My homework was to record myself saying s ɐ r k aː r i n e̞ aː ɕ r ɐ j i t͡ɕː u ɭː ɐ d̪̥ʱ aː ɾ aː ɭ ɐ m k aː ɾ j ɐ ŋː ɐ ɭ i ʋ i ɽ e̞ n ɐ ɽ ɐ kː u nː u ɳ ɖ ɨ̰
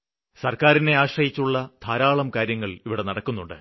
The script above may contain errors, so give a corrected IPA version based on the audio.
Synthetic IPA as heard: s ɐ r k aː ɾ i n e̞ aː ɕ r ɐ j i t͡ɕː u ɭː ɐ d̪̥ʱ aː ɾ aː ɭ ɐ m k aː ɾ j ɐ ŋː ɐ ɭ i ʋ i ɽ e̞ n ɐ ɽ ɐ kː u nː u ɳ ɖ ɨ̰